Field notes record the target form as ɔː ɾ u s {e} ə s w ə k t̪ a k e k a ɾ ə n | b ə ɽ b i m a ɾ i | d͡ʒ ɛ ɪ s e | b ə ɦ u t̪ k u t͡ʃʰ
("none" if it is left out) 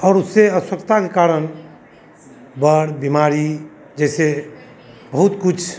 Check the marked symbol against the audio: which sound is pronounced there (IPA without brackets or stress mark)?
e